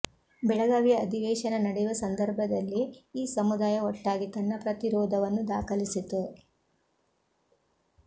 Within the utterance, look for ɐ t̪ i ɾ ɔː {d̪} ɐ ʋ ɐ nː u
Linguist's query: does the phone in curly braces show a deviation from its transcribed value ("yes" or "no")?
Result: no